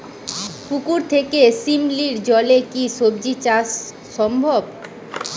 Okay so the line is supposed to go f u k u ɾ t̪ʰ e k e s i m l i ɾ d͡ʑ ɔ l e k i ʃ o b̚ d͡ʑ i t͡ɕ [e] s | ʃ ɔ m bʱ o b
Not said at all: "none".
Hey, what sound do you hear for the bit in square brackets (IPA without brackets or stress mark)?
a